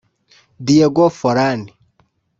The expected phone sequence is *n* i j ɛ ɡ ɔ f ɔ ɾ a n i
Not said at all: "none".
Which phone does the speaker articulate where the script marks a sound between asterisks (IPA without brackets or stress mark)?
d